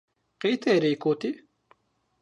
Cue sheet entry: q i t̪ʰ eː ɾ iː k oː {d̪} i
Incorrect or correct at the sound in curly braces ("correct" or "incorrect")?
incorrect